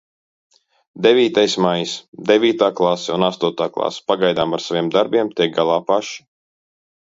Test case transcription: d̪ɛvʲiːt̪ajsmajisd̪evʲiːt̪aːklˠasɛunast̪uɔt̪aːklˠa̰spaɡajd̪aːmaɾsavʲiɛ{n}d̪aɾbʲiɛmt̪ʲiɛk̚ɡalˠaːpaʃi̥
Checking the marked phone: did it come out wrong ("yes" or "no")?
yes